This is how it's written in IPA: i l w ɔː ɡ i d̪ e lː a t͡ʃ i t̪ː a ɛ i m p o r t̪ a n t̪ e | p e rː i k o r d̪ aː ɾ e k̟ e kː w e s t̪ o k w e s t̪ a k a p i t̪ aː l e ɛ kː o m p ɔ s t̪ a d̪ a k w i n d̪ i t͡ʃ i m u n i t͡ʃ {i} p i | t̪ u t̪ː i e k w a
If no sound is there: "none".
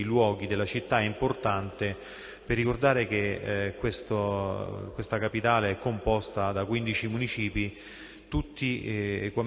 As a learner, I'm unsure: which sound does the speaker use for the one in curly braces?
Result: iː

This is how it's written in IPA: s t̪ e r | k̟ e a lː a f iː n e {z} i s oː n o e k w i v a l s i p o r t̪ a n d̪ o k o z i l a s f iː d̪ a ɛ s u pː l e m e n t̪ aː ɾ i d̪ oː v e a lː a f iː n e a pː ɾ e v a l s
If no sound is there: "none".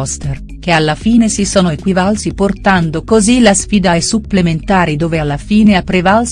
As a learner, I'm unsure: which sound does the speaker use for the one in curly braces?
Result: s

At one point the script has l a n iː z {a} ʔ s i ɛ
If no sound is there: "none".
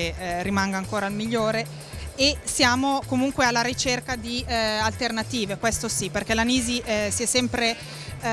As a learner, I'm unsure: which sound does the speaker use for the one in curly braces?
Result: i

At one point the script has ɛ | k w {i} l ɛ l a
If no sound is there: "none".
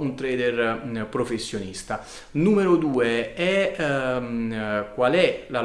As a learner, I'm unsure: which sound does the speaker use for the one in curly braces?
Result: a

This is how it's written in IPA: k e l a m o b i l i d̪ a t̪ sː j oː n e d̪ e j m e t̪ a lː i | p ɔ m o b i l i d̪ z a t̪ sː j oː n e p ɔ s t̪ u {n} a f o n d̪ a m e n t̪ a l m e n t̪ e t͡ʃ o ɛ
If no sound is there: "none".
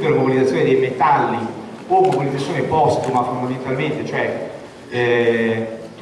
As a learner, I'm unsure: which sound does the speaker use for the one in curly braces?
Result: m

